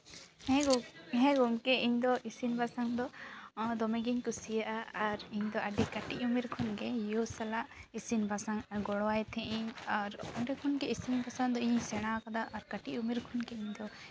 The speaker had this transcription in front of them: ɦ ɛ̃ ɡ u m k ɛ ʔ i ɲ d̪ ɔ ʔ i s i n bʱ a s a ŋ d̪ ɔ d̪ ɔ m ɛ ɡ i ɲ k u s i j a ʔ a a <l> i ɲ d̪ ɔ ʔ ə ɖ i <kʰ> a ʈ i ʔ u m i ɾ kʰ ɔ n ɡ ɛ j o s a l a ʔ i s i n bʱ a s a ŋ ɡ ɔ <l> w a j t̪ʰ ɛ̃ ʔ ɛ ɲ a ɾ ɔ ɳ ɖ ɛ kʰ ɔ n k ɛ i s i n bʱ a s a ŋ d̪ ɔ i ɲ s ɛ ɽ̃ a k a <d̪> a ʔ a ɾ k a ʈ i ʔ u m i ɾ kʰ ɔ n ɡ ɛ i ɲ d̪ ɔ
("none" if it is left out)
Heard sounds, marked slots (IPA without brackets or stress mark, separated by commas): ɾ, k, ɽ, d̪